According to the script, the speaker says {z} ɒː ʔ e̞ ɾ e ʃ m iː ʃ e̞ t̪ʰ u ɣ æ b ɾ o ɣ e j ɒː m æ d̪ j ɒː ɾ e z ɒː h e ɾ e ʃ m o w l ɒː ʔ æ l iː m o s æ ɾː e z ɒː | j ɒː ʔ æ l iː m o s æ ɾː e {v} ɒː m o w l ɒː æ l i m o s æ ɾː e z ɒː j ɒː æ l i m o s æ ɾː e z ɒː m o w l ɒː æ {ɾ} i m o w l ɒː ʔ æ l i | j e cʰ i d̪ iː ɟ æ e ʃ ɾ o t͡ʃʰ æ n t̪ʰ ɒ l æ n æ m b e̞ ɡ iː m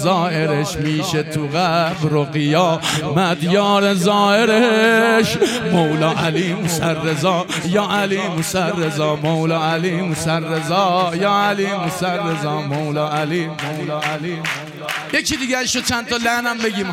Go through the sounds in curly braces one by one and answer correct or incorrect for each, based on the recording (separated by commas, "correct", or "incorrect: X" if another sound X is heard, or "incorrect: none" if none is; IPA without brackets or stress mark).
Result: correct, incorrect: z, incorrect: l